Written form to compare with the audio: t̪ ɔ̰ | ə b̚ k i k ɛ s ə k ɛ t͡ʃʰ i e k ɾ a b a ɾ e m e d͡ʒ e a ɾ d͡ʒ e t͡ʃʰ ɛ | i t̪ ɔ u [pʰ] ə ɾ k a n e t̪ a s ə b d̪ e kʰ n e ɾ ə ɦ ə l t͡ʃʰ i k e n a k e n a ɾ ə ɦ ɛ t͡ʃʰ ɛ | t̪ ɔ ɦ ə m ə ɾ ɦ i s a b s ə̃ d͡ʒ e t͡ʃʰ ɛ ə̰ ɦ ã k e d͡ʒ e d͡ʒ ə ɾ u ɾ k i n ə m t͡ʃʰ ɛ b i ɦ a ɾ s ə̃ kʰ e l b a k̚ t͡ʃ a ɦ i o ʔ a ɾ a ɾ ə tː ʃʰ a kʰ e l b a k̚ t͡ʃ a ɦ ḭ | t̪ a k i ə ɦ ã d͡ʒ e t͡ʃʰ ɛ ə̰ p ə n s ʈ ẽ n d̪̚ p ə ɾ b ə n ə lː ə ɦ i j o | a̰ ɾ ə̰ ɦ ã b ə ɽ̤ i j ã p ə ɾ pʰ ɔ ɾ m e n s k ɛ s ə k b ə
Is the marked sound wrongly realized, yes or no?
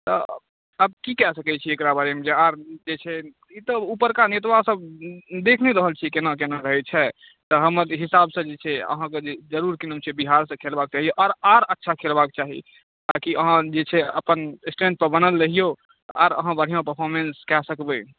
yes